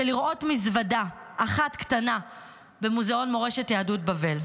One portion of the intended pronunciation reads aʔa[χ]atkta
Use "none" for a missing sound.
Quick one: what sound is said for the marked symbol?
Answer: χ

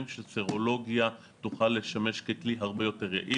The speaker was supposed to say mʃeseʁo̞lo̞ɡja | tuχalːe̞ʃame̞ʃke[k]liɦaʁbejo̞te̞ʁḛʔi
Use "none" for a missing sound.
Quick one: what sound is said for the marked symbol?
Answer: k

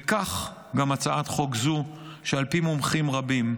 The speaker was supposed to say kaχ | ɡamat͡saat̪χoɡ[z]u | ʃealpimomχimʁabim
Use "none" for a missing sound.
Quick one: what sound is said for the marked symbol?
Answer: z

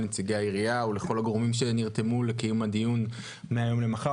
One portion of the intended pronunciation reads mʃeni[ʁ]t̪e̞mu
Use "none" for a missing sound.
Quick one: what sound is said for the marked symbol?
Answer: ʁ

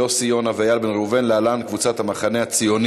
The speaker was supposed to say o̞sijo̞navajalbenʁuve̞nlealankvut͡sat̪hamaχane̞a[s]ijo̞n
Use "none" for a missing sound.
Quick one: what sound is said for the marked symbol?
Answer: t͡s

